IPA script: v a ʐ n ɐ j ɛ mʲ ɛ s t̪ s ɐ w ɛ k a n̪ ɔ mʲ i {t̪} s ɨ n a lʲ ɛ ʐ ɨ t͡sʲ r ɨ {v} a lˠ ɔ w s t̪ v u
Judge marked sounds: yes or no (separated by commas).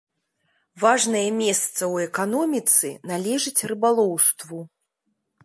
yes, no